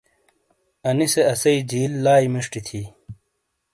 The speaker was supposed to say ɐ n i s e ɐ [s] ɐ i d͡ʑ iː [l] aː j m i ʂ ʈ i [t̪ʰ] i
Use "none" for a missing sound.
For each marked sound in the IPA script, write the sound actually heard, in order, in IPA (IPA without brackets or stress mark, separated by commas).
s, lː, t̪ʰ